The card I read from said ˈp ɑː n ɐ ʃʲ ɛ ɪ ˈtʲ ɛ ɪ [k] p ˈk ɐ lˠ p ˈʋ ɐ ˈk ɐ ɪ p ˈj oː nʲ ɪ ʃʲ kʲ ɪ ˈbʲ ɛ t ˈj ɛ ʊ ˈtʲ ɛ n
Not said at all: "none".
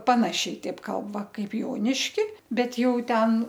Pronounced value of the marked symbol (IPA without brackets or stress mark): none